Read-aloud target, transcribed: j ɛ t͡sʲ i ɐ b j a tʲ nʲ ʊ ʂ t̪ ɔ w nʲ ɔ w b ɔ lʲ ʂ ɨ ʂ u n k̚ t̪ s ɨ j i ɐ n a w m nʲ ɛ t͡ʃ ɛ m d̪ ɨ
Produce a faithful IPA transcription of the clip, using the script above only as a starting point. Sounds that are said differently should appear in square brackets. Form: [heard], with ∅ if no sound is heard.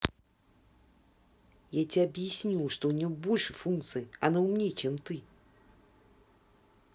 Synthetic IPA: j [a] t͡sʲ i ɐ b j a [sʲ] nʲ [u] ʂ t̪ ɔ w nʲ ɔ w b ɔ lʲ ʂ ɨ [f] u n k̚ t̪ s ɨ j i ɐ n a w m nʲ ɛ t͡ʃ ɛ m [t̪] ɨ

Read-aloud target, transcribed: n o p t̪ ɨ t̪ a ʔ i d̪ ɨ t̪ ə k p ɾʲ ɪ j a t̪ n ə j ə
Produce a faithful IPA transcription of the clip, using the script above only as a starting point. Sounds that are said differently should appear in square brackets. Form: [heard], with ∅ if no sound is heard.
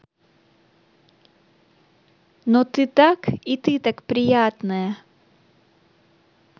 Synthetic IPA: n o [∅] t̪ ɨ t̪ a [k] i [t̪] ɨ t̪ [a] k p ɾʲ ɪ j a t̪ n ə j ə

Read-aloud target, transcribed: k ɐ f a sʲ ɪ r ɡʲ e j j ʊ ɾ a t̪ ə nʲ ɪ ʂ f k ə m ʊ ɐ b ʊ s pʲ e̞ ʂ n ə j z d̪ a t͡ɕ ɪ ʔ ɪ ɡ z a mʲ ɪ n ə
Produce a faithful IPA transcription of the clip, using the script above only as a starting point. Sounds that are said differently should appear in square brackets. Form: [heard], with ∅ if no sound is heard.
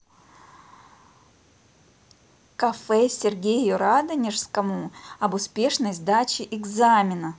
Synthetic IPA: k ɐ f [ɛ] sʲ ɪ r ɡʲ e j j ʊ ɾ a [d̪] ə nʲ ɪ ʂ [s] k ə m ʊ ɐ b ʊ s pʲ e̞ ʂ n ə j z d̪ a t͡ɕ ɪ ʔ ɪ ɡ z a mʲ ɪ n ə

